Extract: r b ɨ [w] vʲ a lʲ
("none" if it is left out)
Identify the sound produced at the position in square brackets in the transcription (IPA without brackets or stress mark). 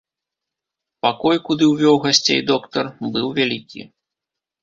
w